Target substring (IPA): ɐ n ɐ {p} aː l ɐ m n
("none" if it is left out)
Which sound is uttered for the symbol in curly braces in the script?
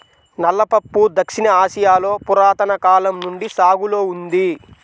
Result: k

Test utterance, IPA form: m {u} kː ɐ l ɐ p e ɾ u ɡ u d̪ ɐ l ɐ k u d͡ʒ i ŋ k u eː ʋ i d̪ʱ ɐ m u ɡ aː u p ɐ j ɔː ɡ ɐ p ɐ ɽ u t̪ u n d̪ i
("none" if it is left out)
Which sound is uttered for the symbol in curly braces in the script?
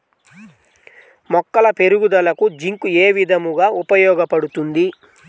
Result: ɔ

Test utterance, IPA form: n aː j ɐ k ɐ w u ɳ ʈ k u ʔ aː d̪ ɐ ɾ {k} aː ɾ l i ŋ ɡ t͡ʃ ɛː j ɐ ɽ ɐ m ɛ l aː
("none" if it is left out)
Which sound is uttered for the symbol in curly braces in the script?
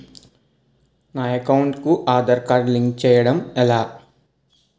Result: k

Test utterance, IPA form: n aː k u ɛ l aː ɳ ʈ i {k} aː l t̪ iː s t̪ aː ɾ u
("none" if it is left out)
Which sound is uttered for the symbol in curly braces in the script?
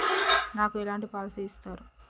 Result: p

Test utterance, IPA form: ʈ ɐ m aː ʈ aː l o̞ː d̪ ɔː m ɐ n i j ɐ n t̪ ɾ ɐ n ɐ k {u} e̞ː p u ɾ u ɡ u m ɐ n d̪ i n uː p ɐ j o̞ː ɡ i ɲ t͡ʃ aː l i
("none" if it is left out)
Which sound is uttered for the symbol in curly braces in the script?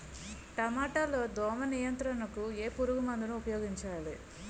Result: u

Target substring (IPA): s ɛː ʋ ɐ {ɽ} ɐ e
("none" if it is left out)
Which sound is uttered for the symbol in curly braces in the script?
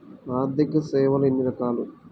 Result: l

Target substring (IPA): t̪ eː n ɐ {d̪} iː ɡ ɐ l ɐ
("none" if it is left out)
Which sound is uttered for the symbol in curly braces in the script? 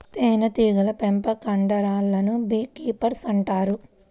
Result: t̪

